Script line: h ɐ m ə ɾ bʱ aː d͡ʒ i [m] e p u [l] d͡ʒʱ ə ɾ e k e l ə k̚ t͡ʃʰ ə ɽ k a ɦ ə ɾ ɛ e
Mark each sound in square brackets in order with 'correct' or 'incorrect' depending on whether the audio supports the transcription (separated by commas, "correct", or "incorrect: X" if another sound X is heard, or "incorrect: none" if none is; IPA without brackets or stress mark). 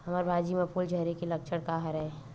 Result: correct, correct